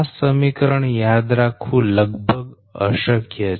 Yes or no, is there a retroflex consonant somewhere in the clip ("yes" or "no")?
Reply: yes